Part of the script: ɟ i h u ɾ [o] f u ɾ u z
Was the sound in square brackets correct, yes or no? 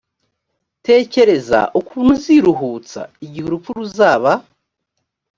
no